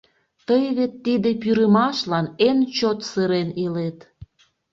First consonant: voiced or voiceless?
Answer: voiceless